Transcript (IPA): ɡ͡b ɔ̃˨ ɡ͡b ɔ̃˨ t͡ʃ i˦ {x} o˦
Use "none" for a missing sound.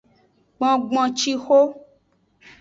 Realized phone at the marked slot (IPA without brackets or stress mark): x